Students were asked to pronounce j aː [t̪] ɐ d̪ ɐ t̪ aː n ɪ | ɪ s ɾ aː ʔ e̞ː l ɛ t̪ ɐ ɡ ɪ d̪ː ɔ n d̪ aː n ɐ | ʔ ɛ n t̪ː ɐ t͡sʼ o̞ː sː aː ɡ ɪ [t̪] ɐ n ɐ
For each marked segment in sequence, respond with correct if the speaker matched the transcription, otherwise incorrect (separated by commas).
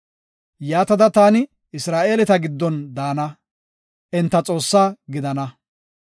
correct, incorrect